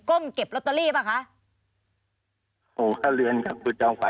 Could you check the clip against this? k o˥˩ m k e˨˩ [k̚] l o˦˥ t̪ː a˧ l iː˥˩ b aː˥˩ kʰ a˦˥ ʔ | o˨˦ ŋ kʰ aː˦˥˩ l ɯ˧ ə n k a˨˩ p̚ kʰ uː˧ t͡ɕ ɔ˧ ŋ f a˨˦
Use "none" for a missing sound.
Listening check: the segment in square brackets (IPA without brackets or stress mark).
p̚